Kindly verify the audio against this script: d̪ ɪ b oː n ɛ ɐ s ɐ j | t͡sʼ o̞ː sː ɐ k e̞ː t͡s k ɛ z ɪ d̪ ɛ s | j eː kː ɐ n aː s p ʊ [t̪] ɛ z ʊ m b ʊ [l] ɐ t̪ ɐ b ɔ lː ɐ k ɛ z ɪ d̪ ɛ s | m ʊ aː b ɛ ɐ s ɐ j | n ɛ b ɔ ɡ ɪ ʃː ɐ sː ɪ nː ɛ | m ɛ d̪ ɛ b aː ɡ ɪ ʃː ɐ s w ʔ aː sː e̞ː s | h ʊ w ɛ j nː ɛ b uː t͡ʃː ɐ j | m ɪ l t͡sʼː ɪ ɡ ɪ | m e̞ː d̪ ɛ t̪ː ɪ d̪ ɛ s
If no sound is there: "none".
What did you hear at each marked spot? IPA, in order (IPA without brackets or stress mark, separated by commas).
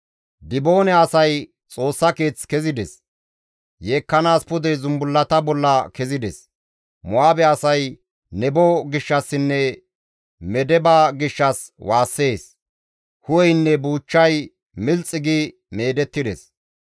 d̪, lː